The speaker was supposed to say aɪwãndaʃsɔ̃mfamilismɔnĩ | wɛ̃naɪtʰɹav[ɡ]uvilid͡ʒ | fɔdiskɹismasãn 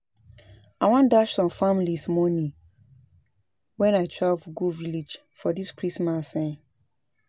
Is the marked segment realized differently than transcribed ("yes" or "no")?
no